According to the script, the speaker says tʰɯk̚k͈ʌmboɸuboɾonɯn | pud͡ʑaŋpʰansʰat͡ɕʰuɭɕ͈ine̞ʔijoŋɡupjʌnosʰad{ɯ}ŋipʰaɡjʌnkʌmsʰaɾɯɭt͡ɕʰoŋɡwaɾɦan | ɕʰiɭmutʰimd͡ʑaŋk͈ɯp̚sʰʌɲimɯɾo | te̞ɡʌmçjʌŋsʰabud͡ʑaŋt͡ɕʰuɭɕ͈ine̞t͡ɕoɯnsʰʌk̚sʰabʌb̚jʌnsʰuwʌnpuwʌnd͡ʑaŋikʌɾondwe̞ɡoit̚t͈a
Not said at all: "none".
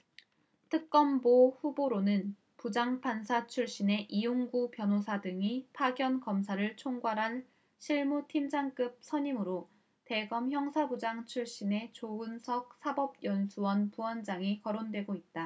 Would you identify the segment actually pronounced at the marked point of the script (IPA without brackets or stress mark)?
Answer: ɯ